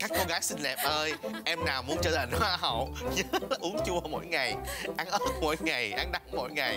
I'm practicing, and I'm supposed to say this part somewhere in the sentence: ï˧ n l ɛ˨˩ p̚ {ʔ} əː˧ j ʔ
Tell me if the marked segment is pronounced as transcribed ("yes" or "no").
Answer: yes